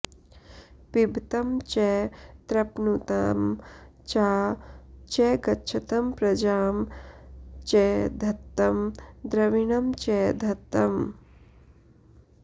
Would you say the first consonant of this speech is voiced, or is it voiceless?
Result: voiceless